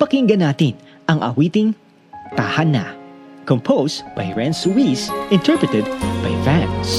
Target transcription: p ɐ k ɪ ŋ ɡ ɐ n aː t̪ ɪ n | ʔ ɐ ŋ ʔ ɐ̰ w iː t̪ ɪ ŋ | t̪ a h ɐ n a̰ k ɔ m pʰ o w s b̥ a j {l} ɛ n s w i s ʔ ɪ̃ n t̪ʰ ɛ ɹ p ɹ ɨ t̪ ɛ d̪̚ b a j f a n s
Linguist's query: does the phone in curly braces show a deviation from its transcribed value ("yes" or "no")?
yes